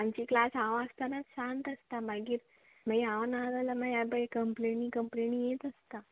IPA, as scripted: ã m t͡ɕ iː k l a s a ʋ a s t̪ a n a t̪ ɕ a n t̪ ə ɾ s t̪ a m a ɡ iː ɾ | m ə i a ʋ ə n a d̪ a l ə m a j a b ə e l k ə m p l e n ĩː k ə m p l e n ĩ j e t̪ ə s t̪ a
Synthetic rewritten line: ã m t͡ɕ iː k l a s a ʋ a s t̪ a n a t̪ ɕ a n t̪ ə s t̪ a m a ɡ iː ɾ | m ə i a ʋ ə n a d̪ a l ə m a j a b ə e k ə m p l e n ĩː k ə m p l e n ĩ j e t̪ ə s t̪ a